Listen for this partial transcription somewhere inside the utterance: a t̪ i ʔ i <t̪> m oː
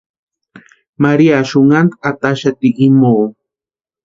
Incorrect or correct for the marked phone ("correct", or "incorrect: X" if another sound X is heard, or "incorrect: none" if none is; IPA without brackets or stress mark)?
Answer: incorrect: none